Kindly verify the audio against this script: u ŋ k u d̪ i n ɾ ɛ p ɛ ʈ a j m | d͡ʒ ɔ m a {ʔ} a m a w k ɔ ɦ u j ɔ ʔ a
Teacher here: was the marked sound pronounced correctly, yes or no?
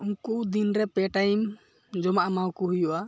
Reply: yes